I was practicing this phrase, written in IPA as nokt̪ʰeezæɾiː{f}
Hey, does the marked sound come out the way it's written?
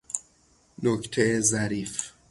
yes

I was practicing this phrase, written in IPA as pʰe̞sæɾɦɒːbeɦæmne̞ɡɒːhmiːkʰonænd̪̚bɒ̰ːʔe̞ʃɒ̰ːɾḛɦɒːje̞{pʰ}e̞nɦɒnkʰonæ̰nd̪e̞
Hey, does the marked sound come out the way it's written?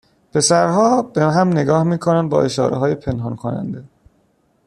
yes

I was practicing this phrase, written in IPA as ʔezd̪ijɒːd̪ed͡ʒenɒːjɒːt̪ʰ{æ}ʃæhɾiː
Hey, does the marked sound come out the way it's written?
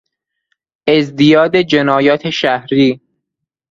no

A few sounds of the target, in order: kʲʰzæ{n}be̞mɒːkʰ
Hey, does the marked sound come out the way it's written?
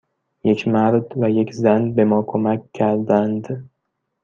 yes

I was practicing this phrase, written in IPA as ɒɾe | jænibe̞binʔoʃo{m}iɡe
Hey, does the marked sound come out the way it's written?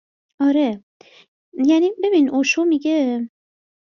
yes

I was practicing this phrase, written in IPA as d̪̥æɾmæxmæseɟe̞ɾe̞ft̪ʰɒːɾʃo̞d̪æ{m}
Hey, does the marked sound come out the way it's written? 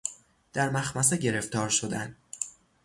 no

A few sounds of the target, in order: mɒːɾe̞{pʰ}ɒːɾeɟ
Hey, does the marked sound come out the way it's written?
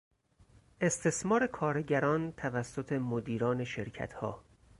no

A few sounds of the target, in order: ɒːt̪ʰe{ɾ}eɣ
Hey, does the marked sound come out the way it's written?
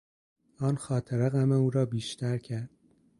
yes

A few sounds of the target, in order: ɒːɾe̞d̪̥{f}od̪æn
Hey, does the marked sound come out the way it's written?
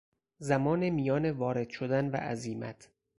no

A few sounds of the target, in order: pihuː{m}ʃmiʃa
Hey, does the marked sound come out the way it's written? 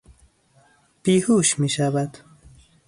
no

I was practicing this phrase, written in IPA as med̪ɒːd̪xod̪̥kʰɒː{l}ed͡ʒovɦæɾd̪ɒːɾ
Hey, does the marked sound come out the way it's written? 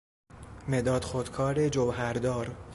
no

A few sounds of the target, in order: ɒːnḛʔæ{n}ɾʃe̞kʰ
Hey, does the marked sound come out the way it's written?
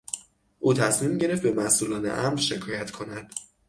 no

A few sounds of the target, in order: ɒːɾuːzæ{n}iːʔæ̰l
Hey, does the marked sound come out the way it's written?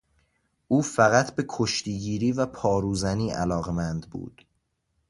yes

